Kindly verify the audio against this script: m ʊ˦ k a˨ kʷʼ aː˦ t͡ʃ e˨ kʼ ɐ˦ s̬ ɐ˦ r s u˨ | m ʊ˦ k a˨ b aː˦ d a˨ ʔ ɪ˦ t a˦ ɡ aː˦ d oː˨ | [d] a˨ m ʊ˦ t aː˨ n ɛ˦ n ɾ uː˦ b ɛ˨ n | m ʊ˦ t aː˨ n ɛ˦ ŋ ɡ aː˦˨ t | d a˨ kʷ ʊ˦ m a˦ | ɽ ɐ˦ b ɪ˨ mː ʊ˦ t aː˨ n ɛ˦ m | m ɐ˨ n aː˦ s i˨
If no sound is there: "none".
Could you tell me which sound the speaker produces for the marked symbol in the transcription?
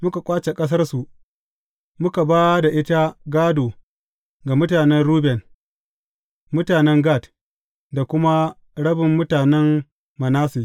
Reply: ɡ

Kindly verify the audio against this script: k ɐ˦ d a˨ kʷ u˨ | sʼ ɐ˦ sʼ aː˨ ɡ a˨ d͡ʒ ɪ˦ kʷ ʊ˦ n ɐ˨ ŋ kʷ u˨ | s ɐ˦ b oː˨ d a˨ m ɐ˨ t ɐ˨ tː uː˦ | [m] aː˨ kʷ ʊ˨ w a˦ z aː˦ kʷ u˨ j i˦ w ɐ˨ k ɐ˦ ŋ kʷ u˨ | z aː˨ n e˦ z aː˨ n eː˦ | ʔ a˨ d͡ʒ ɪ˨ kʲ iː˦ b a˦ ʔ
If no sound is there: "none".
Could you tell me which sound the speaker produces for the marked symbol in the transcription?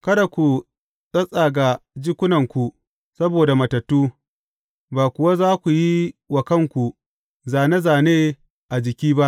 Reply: b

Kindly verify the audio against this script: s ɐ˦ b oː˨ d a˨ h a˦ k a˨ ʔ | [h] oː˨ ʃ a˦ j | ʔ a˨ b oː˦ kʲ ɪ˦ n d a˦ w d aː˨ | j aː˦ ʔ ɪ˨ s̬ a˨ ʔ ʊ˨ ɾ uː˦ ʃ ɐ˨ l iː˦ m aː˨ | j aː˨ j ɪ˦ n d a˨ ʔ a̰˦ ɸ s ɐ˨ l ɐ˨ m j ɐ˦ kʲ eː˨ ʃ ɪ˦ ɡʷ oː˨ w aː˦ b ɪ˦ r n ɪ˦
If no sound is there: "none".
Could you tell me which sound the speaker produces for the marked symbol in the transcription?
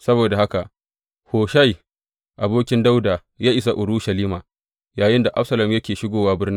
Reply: h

